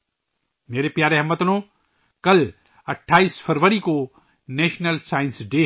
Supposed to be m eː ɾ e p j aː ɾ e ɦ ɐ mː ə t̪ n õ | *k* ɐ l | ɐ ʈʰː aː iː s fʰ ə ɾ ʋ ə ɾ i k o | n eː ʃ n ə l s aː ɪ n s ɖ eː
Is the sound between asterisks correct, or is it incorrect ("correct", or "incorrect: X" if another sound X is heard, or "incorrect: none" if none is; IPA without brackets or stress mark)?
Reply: correct